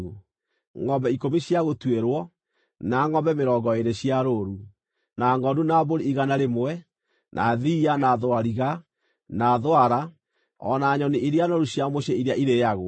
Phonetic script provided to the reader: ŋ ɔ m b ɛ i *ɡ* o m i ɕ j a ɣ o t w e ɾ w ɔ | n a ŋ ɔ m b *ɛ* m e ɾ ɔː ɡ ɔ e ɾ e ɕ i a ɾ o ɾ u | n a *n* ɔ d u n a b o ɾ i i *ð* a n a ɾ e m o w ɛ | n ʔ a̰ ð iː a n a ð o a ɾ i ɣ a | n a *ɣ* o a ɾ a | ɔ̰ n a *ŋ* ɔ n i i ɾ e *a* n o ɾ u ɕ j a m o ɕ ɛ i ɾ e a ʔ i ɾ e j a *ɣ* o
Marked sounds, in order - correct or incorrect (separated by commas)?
incorrect, correct, incorrect, incorrect, incorrect, incorrect, correct, correct